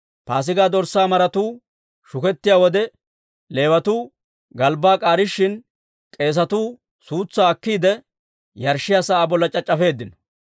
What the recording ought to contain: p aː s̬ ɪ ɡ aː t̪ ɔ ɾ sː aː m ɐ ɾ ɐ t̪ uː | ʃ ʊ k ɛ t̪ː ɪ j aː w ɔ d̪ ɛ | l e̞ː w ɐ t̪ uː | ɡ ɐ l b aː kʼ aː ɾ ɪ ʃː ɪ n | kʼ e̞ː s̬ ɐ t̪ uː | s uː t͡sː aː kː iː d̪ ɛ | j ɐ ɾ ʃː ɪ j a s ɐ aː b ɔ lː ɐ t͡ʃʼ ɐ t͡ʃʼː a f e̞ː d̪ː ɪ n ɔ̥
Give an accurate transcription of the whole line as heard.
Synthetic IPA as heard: p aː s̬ ɪ ɡ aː d̪ ɔ ɾ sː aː m ɐ ɾ ɐ t̪ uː | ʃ ʊ k ɛ t̪ː ɪ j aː w ɔ d̪ ɛ | l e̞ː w ɐ t̪ uː | ɡ ɐ l b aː kʼ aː ɾ ɪ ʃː ɪ n | kʼ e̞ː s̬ ɐ t̪ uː | s uː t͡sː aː kː iː d̪ ɛ | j ɐ ɾ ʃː ɪ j a s ɐ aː b ɔ lː ɐ t͡ʃʼ ɐ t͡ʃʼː ɐ f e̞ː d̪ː ɪ n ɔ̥